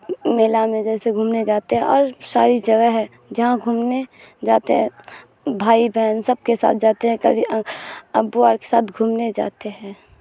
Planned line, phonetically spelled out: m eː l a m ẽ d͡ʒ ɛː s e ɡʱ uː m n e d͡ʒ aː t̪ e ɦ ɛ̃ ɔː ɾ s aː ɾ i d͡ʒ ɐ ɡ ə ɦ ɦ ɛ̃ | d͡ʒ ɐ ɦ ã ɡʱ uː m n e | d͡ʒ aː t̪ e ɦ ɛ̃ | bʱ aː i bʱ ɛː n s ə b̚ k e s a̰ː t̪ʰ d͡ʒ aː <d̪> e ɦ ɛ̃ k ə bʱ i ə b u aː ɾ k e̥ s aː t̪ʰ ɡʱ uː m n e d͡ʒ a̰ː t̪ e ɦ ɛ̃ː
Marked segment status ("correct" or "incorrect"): incorrect